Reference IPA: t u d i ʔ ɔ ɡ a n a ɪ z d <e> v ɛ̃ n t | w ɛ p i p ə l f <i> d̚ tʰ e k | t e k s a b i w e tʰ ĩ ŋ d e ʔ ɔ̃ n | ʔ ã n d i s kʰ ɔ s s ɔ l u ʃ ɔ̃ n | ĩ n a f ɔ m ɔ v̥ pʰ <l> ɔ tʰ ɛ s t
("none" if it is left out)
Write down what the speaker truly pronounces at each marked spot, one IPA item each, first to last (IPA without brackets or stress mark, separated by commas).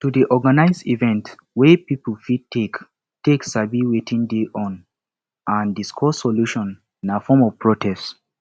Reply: i, i, ɹ